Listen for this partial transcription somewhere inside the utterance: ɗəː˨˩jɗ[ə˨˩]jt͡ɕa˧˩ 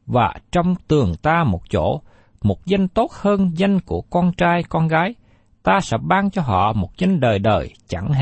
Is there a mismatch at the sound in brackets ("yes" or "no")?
yes